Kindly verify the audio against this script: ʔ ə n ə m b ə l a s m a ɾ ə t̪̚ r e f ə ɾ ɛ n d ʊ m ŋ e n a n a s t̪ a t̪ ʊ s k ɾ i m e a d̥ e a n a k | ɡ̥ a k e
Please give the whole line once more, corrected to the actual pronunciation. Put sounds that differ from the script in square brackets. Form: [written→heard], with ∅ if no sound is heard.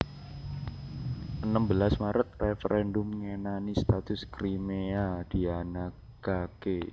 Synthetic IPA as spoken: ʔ ə n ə m b ə l a s m a ɾ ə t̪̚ r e f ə ɾ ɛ n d ʊ m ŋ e n a n [a→i] s t̪ a t̪ ʊ s k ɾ i m e a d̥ [e→i] a n a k | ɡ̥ a k e